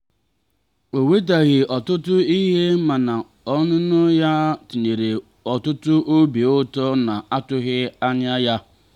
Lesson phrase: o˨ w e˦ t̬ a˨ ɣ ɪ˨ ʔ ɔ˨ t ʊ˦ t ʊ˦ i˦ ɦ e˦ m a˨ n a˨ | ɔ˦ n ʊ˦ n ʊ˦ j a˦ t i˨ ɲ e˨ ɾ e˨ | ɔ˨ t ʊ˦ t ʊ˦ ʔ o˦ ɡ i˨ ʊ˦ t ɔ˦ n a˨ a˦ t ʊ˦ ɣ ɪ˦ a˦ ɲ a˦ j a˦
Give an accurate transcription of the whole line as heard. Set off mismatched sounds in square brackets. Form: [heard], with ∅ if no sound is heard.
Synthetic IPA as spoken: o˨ w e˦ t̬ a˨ ɣ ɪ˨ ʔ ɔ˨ t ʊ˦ t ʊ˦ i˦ ɦ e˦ m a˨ n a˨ | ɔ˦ n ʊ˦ n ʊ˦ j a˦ t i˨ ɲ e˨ ɾ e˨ | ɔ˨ t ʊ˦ t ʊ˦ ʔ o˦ [b] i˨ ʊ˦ t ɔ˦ n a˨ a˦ t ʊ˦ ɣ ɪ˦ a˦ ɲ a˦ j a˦